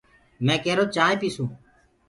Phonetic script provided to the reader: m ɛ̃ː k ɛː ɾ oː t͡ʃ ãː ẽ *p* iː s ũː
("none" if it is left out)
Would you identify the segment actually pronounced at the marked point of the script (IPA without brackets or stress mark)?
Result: p